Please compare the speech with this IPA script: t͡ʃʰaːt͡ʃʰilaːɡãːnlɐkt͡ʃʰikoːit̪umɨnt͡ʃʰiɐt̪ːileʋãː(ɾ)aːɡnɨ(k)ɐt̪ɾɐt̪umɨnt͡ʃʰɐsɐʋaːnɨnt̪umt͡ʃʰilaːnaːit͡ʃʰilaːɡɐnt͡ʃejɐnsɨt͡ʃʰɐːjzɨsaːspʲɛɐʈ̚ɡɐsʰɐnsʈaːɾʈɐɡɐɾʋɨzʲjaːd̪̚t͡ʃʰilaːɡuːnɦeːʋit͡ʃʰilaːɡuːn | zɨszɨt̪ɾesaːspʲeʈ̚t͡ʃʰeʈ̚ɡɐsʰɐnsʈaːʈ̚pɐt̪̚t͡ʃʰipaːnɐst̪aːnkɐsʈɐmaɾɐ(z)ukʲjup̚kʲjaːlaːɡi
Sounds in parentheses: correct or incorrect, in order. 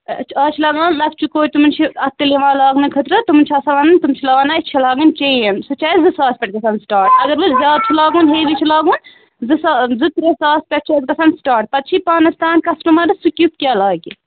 incorrect: l, incorrect: kʰ, incorrect: s

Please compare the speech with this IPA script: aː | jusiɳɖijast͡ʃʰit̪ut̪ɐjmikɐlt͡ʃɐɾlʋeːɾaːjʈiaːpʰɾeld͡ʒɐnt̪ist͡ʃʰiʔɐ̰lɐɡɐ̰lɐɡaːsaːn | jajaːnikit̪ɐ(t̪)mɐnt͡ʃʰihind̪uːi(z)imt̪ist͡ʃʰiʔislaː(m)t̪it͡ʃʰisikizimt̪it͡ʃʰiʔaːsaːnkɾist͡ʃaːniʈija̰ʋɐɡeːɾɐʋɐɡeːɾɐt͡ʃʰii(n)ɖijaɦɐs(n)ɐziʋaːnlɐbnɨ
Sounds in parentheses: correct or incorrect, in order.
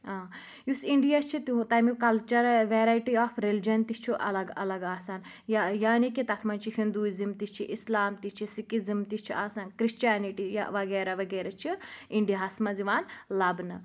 incorrect: t̪ʰ, correct, correct, incorrect: ɳ, incorrect: m

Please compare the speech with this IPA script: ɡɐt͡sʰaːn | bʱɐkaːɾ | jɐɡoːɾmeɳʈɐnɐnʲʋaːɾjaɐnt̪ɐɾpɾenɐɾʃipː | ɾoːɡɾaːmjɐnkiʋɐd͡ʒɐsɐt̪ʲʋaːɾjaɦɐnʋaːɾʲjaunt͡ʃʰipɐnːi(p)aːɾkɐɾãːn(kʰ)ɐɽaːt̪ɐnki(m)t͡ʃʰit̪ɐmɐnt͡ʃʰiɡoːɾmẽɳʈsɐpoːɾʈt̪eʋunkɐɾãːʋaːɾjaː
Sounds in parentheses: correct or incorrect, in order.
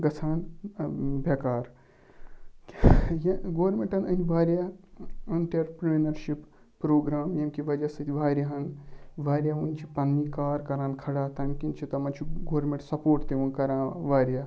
incorrect: k, correct, incorrect: n

